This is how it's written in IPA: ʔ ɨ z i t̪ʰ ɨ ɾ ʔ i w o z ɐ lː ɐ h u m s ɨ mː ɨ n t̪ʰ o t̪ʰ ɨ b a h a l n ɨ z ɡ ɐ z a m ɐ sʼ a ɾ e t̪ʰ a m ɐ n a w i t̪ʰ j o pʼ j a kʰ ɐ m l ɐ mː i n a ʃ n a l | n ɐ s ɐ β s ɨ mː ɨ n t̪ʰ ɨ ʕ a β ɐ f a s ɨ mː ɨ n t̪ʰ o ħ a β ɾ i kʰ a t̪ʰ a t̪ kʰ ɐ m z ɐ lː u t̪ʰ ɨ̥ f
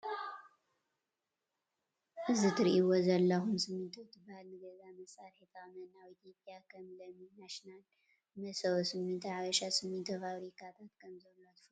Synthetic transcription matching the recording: ʔ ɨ z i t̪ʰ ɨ ɾ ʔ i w o z ɐ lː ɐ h u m s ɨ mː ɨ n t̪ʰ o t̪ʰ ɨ b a h a l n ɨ ɡ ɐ z a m ɐ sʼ a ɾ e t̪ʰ a m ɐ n a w i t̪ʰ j o pʼ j a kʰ ɐ m l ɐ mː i n a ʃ n a l | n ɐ s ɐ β s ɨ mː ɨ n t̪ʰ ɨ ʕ a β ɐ ʃ a s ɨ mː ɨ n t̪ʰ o f a β ɾ i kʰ a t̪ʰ a t̪ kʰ ɐ m z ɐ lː o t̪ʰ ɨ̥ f